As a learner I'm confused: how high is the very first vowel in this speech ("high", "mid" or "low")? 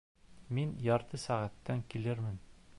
high